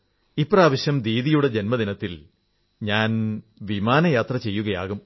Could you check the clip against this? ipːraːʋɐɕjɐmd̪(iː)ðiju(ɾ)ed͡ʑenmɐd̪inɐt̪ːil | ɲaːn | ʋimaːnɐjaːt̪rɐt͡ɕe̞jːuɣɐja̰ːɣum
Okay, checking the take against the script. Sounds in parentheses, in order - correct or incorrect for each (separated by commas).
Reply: correct, incorrect